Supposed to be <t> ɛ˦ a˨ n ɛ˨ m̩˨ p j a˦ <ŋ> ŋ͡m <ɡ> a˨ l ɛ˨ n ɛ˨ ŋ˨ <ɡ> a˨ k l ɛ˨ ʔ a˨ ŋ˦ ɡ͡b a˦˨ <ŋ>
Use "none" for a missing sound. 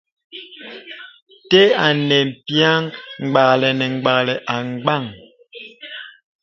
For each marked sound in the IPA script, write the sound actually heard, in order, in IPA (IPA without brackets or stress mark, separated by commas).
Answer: t, ŋ, ɡ͡b, ɡ͡b, ŋ